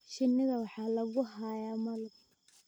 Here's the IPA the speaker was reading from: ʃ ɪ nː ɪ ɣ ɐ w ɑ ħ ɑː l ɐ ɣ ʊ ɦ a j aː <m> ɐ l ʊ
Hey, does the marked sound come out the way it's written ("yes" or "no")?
yes